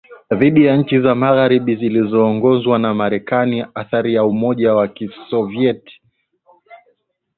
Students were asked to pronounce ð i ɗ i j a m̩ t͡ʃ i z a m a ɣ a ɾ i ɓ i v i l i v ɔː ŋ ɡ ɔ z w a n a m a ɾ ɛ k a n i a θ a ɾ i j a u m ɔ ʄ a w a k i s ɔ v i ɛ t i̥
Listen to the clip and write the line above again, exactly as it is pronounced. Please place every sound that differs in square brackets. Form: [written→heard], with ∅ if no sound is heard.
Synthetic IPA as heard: ð i ɗ i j a [m̩→ɲ̩] t͡ʃ i z a m a ɣ a ɾ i ɓ i [v→z] i l i [v→z] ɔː ŋ ɡ ɔ z w a n a m a ɾ ɛ k a n i a θ a ɾ i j a u m ɔ ʄ a w a k i s ɔ v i ɛ t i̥